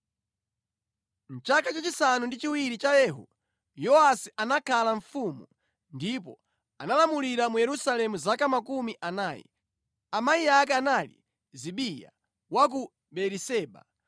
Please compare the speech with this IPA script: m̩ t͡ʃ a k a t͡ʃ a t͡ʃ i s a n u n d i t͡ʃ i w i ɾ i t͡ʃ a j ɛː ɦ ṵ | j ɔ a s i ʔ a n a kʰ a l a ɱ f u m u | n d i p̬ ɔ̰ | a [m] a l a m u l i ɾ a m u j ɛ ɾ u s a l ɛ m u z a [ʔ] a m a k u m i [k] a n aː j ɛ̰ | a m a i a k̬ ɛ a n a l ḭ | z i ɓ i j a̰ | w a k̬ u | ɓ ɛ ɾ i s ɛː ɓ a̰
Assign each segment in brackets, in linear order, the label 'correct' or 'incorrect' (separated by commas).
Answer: incorrect, incorrect, incorrect